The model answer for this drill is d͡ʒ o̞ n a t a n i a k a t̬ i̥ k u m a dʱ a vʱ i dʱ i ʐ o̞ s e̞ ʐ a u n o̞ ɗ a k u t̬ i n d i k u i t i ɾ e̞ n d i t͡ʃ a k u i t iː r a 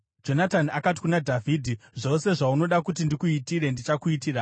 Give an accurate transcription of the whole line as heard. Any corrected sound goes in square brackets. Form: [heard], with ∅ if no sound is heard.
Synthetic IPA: d͡ʒ o̞ n a t a n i a k a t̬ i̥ k u [n] a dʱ a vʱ i dʱ i ʐ o̞ s e̞ ʐ a u n o̞ ɗ a k u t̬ i n d i k u i t i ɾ e̞ n d i t͡ʃ a k u i t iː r a